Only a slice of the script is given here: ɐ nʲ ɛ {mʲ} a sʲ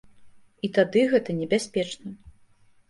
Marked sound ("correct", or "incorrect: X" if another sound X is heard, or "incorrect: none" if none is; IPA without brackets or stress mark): incorrect: bʲ